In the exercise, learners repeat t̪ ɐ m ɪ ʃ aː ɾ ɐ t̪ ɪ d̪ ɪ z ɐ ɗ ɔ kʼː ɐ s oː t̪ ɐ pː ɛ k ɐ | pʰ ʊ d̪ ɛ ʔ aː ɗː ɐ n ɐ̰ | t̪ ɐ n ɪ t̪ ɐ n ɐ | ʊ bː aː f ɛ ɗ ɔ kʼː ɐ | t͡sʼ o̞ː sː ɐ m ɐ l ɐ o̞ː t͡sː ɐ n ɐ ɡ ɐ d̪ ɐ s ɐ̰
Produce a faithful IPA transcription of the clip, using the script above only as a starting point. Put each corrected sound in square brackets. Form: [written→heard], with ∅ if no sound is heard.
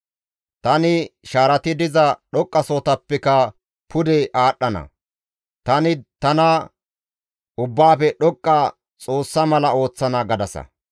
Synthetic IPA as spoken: t̪ ɐ [m→n] ɪ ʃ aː ɾ ɐ t̪ ɪ d̪ ɪ z ɐ ɗ ɔ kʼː ɐ s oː t̪ ɐ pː ɛ k ɐ | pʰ ʊ d̪ ɛ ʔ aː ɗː ɐ n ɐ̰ | t̪ ɐ n ɪ t̪ ɐ n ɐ | ʊ bː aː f ɛ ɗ ɔ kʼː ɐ | t͡sʼ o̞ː sː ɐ m ɐ l ɐ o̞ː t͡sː ɐ n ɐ ɡ ɐ d̪ ɐ s ɐ̰

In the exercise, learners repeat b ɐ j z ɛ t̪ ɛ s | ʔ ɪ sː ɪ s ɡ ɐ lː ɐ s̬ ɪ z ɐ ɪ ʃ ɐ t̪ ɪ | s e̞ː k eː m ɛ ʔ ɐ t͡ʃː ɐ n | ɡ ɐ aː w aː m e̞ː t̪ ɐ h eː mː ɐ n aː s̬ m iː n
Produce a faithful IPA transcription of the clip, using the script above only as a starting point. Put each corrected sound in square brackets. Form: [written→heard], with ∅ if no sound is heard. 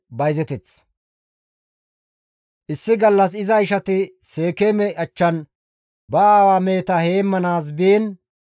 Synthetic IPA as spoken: b ɐ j z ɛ t̪ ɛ [s→t͡s] | ʔ ɪ sː ɪ [s→∅] ɡ ɐ lː ɐ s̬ ɪ z ɐ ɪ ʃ ɐ t̪ ɪ | s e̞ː k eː m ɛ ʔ ɐ t͡ʃː ɐ n | [ɡ→b] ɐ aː w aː m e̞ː t̪ ɐ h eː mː ɐ n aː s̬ [m→b] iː n

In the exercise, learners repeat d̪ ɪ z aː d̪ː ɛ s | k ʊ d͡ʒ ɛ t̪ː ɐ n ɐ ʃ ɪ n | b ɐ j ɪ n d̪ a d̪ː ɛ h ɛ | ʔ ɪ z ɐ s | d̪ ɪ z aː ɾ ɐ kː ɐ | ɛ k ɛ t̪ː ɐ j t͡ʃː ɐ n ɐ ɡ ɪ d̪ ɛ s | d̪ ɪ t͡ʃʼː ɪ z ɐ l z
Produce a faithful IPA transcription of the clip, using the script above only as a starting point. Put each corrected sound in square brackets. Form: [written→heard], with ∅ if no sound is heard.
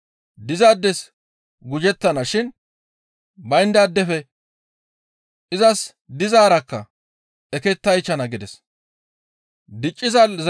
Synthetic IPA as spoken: d̪ ɪ z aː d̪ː ɛ s | [k→ɡ] ʊ d͡ʒ ɛ t̪ː ɐ n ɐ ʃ ɪ n | b ɐ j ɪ n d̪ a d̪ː ɛ [h→f] ɛ | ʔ ɪ z ɐ s | d̪ ɪ z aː ɾ ɐ kː ɐ | ɛ k ɛ t̪ː ɐ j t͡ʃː ɐ n ɐ ɡ ɪ d̪ ɛ s | d̪ ɪ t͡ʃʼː ɪ z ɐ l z

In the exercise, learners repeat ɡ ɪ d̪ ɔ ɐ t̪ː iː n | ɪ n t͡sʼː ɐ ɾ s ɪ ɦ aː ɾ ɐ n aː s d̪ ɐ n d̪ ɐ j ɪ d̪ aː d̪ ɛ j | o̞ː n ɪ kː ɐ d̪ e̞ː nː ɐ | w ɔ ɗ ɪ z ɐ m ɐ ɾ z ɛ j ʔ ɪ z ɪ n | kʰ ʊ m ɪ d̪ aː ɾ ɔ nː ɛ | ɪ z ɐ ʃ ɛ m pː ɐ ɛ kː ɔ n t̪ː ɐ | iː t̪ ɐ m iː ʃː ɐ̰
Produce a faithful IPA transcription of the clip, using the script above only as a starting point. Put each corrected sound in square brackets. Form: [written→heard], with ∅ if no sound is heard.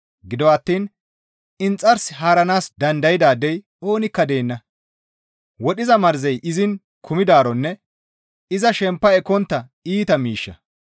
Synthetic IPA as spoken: ɡ ɪ d̪ ɔ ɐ t̪ː iː n | ɪ n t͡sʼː ɐ ɾ s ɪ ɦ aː ɾ ɐ n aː s d̪ ɐ n d̪ ɐ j ɪ d̪ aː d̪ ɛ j | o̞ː n ɪ kː ɐ d̪ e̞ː nː ɐ | w ɔ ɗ ɪ z ɐ m ɐ ɾ z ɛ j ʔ ɪ z ɪ n | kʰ ʊ m ɪ d̪ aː ɾ ɔ nː ɛ | ɪ z ɐ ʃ ɛ m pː ɐ ɛ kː ɔ n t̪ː ɐ | iː t̪ ɐ m iː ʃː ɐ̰

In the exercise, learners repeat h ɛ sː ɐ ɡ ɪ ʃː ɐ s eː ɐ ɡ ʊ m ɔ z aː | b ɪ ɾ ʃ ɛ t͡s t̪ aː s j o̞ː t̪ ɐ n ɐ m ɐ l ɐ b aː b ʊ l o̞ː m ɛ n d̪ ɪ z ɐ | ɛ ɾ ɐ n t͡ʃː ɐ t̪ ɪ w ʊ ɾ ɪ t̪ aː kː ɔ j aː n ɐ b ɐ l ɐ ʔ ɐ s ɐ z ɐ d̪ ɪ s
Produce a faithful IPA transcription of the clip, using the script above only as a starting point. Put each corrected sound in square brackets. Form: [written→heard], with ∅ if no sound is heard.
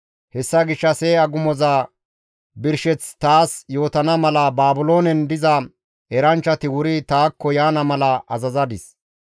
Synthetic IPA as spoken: h ɛ sː ɐ ɡ ɪ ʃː ɐ s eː ɐ ɡ ʊ m ɔ z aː | b ɪ ɾ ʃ ɛ t͡s t̪ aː s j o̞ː t̪ ɐ n ɐ m ɐ l ɐ b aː b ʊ l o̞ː [m→n] ɛ n d̪ ɪ z ɐ | ɛ ɾ ɐ n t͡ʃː ɐ t̪ ɪ w ʊ ɾ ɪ t̪ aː kː ɔ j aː n ɐ [b→m] ɐ l ɐ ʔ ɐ [s→z] ɐ z ɐ d̪ ɪ s

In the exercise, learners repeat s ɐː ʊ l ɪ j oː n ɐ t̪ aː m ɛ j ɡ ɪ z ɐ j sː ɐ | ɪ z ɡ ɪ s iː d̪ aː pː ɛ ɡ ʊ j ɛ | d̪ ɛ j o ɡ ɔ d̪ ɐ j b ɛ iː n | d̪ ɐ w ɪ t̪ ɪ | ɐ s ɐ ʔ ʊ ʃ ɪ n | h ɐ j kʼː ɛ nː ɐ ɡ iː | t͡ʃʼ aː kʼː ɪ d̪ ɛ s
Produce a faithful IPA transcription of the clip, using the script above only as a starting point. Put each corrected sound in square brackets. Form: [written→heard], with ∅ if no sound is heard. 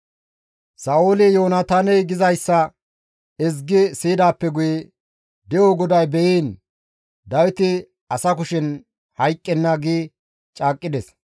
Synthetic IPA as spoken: s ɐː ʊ l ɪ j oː n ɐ t̪ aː [m→n] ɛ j ɡ ɪ z ɐ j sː ɐ | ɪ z ɡ ɪ s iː d̪ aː pː ɛ ɡ ʊ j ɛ | d̪ ɛ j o ɡ ɔ d̪ ɐ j b ɛ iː n | d̪ ɐ w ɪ t̪ ɪ | ɐ s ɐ [ʔ→k] ʊ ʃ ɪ n | h ɐ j kʼː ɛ nː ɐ ɡ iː | t͡ʃʼ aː kʼː ɪ d̪ ɛ s

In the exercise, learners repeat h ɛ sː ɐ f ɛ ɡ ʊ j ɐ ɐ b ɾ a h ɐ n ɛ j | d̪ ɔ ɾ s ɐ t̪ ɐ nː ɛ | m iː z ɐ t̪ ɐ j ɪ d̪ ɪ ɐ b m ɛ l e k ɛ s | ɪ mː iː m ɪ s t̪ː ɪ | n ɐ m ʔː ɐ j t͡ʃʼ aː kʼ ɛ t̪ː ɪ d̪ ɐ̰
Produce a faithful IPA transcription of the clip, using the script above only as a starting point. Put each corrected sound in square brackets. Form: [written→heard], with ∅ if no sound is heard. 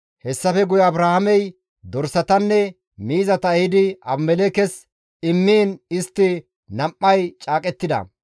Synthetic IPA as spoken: h ɛ sː ɐ f ɛ ɡ ʊ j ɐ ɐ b ɾ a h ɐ [n→m] ɛ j | d̪ ɔ ɾ s ɐ t̪ ɐ nː ɛ | m iː z ɐ t̪ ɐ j ɪ d̪ ɪ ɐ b m ɛ l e k ɛ s | ɪ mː iː [m→n] ɪ s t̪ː ɪ | n ɐ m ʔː ɐ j t͡ʃʼ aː kʼ ɛ t̪ː ɪ d̪ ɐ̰

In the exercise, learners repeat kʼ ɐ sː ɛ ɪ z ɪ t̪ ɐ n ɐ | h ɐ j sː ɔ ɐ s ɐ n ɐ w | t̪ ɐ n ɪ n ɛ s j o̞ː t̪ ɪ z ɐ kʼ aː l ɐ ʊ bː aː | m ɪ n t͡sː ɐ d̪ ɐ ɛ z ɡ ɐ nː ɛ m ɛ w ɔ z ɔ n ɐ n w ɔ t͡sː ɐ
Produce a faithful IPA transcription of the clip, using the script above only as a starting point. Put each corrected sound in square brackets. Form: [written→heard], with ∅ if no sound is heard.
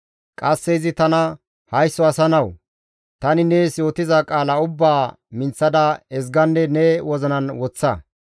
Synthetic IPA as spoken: kʼ ɐ sː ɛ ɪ z ɪ t̪ ɐ n ɐ | h ɐ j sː ɔ ɐ s ɐ n ɐ w | t̪ ɐ n ɪ n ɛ s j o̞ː t̪ ɪ z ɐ kʼ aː l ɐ ʊ bː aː | m ɪ n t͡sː ɐ d̪ ɐ ɛ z ɡ ɐ nː ɛ [m→n] ɛ w ɔ z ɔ n ɐ n w ɔ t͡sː ɐ

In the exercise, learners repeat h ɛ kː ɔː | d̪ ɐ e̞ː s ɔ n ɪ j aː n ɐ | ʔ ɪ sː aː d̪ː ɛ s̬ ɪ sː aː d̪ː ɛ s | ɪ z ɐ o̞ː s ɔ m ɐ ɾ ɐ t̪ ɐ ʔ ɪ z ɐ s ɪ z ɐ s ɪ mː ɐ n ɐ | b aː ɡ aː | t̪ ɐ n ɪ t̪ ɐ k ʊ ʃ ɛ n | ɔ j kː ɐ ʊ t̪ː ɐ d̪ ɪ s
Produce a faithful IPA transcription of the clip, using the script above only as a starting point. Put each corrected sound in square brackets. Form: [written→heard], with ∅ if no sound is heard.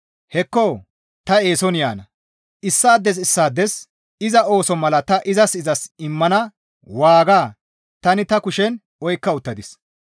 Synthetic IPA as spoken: h ɛ kː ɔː | [d̪→t̪] ɐ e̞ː s ɔ n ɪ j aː n ɐ | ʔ ɪ sː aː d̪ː ɛ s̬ ɪ sː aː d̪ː ɛ s | ɪ z ɐ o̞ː s ɔ m ɐ [ɾ→l] ɐ t̪ ɐ ʔ ɪ z ɐ s ɪ z ɐ s ɪ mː ɐ n ɐ | [b→w] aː ɡ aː | t̪ ɐ n ɪ t̪ ɐ k ʊ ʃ ɛ n | ɔ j kː ɐ ʊ t̪ː ɐ d̪ ɪ s

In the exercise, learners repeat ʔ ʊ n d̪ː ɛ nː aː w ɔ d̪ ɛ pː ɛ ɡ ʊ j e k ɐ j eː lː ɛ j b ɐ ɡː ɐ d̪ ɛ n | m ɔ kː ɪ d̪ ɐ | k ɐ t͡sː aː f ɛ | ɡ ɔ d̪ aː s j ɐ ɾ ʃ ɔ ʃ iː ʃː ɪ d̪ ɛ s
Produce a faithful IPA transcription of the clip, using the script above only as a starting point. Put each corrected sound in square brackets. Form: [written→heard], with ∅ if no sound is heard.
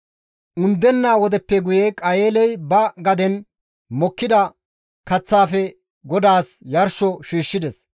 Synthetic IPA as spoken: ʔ ʊ n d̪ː ɛ nː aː w ɔ d̪ ɛ pː ɛ ɡ ʊ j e [k→kʼ] ɐ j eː [lː→l] ɛ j b ɐ [ɡː→ɡ] ɐ d̪ ɛ n | m ɔ kː ɪ d̪ ɐ | k ɐ t͡sː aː f ɛ | ɡ ɔ d̪ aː s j ɐ ɾ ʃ ɔ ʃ iː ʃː ɪ d̪ ɛ s

